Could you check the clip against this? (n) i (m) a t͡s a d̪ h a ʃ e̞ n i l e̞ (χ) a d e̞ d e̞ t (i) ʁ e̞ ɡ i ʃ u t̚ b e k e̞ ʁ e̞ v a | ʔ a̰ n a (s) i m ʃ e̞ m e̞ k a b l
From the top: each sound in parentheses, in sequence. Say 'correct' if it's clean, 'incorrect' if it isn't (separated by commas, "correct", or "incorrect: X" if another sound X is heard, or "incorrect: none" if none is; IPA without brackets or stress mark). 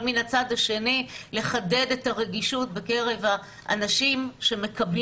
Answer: incorrect: m, incorrect: n, correct, incorrect: a, incorrect: ʃ